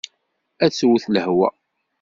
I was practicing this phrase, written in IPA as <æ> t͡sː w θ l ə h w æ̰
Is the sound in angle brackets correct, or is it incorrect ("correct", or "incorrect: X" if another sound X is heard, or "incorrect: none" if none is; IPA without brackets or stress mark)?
correct